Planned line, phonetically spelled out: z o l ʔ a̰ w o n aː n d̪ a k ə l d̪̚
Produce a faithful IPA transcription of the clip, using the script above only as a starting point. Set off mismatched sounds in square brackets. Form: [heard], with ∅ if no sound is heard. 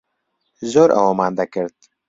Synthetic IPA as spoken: z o [ɾ] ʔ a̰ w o [m] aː n d̪ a k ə [ɾ] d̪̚